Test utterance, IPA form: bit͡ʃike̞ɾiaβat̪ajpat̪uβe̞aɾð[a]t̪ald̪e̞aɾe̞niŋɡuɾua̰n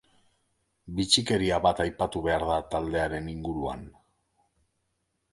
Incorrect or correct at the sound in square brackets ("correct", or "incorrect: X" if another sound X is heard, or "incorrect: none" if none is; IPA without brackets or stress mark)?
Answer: correct